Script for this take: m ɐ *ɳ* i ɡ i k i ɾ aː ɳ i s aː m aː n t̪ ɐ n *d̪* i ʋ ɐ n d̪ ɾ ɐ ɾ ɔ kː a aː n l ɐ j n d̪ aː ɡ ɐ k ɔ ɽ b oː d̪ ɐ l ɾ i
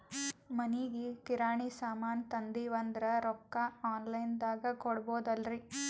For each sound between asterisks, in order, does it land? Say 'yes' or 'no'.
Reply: no, yes

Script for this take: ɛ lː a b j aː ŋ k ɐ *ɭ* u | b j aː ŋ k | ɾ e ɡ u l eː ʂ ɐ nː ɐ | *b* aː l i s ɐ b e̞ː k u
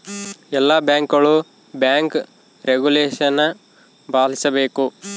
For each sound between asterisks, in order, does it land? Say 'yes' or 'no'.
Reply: yes, yes

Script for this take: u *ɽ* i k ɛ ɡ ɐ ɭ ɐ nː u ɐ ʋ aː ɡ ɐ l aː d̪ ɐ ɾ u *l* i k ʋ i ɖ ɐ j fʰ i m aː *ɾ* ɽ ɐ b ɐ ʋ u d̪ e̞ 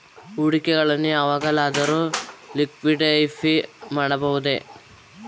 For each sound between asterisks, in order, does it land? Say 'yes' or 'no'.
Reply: yes, yes, no

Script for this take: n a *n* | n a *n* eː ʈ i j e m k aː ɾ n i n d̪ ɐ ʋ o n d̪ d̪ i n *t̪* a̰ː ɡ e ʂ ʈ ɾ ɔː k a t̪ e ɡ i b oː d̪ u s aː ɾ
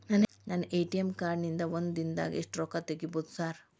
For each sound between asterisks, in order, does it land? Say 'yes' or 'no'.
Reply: yes, yes, no

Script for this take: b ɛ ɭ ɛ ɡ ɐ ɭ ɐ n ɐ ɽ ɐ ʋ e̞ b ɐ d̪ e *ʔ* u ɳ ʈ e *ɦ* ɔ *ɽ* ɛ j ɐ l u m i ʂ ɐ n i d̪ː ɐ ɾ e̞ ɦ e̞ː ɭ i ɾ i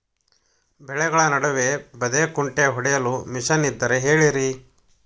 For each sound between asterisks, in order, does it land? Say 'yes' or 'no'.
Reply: no, yes, yes

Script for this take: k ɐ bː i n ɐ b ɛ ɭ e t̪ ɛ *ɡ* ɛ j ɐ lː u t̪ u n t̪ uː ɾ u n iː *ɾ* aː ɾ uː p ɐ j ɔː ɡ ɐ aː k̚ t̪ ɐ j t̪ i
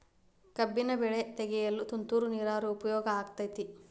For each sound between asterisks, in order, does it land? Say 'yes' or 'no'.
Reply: yes, yes

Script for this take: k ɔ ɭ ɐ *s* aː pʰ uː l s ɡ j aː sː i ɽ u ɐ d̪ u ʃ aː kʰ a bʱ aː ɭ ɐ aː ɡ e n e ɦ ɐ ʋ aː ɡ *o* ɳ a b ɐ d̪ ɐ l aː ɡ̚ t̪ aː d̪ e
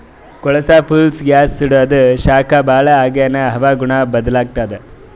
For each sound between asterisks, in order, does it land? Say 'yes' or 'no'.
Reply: yes, no

